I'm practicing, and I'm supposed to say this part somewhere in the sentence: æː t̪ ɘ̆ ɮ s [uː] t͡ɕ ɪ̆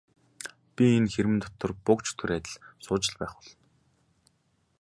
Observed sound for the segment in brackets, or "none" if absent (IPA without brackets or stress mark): ʊː